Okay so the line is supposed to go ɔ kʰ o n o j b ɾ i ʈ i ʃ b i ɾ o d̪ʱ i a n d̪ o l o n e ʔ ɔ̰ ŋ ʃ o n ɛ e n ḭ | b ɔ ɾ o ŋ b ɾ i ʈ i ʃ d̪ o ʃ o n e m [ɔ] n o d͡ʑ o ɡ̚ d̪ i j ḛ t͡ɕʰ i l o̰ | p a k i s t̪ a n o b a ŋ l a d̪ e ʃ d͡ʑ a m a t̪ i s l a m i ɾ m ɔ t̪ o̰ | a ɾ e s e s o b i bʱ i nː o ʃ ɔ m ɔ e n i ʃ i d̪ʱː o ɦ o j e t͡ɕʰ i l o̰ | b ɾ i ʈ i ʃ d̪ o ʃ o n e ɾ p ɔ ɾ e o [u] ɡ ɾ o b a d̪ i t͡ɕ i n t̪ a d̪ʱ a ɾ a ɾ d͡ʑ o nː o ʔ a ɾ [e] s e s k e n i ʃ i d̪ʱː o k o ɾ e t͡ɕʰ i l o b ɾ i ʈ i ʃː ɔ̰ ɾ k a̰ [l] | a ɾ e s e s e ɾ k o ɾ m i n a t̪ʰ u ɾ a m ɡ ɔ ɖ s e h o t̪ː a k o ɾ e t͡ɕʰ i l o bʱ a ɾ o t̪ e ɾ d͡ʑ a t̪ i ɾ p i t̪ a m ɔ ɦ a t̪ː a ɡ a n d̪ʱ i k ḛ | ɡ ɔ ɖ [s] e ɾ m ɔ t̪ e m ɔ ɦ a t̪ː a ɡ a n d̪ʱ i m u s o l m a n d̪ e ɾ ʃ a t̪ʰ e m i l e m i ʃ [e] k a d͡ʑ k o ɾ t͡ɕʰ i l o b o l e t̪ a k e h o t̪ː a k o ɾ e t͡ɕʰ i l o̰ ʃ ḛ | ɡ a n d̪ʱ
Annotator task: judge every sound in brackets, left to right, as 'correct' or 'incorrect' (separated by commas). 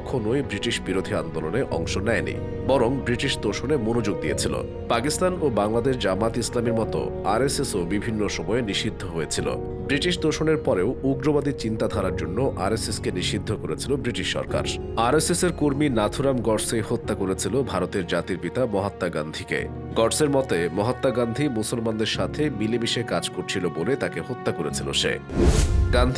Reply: incorrect, correct, correct, incorrect, correct, correct